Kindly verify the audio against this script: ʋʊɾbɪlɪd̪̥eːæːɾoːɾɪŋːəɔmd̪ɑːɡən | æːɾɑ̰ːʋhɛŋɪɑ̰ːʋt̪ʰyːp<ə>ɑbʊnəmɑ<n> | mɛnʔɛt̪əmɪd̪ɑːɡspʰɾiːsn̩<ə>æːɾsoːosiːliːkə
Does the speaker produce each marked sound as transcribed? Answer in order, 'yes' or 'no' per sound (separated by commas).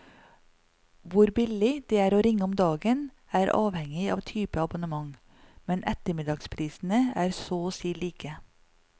yes, no, yes